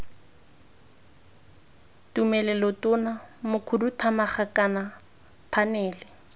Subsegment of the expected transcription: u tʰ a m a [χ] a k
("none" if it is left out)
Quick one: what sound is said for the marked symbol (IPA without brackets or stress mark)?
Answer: χ